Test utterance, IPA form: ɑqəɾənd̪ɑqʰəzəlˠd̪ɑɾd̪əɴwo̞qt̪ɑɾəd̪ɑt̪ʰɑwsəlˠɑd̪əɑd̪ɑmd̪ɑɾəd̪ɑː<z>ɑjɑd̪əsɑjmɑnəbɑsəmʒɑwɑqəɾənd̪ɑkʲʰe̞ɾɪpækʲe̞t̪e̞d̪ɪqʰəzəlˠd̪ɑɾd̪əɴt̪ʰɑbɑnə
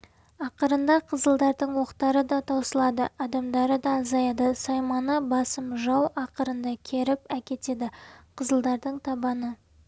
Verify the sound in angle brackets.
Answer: correct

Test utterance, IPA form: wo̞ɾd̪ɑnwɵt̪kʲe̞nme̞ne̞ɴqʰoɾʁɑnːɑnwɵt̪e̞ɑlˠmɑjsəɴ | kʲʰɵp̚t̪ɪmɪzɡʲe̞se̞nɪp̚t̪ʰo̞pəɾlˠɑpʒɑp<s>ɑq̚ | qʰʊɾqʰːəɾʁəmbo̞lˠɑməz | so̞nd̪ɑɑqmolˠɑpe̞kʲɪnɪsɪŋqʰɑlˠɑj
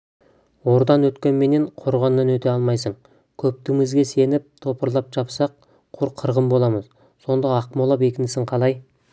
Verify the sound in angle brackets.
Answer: correct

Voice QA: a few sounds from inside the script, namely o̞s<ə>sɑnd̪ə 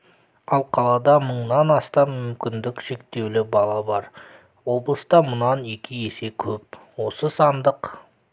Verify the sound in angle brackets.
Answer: correct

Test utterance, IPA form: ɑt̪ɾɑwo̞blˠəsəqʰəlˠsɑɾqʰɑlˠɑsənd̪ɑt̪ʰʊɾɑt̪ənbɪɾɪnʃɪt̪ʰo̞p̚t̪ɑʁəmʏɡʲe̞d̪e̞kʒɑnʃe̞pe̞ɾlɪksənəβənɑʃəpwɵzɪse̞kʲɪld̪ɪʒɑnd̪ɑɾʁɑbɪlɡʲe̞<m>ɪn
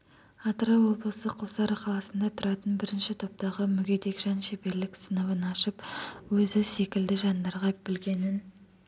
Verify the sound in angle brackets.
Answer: incorrect: n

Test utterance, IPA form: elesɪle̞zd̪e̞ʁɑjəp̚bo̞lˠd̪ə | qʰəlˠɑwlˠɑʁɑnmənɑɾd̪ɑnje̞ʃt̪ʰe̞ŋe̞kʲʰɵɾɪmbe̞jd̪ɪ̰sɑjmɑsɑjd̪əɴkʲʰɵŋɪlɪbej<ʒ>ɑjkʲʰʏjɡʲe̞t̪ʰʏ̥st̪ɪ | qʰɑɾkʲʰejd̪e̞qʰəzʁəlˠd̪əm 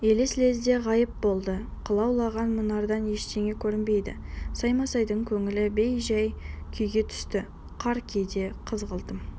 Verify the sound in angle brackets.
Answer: correct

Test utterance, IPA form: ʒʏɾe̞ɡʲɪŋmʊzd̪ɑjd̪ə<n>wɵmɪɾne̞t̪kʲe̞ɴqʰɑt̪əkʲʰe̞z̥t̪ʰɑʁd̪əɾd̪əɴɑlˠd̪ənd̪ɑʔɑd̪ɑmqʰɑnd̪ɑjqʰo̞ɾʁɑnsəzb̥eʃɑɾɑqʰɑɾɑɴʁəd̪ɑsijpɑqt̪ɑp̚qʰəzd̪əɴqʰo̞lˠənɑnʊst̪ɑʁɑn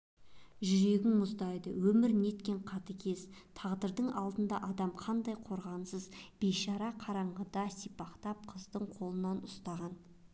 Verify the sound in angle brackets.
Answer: incorrect: none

